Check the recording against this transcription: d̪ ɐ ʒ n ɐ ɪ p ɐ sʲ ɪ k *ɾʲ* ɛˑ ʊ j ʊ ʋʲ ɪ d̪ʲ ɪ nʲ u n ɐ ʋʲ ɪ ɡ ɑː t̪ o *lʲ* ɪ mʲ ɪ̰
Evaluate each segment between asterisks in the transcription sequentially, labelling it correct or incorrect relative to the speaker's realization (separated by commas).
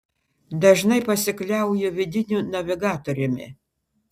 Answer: incorrect, incorrect